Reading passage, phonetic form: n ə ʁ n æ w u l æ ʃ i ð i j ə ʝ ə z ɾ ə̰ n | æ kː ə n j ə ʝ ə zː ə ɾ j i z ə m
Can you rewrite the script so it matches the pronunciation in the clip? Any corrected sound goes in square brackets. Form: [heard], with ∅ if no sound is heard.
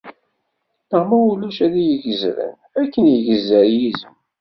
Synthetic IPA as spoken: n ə ʁ [m] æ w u l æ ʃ [æ] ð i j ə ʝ ə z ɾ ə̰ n | æ kː ə n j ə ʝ ə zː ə ɾ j i z ə m